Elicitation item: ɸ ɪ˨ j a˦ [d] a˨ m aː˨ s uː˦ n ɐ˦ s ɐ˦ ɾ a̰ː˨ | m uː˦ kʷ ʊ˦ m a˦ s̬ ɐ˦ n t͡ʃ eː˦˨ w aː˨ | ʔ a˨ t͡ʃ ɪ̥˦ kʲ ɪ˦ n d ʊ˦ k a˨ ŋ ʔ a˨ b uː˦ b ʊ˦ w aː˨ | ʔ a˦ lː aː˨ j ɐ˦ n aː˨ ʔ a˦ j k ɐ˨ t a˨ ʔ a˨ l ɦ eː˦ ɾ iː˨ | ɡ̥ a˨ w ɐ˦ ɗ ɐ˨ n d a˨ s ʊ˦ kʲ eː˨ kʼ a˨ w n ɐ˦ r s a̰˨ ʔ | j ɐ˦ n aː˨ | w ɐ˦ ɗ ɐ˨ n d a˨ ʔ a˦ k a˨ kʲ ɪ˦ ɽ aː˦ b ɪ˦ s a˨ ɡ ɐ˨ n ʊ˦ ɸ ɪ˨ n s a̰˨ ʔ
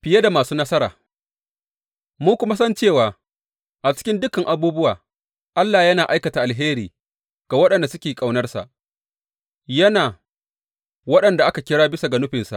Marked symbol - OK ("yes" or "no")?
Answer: yes